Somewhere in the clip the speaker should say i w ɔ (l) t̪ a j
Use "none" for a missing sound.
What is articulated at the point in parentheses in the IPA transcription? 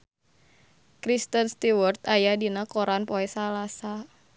r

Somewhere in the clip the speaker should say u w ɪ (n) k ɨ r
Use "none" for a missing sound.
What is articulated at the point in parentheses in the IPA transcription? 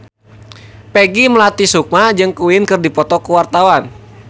n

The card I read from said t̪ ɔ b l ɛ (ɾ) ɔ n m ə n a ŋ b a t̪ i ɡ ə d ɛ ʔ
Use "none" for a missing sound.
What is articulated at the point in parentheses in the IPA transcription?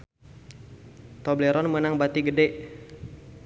ɾ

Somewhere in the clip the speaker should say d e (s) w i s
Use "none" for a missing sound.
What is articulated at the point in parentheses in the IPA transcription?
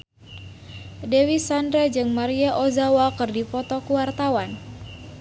none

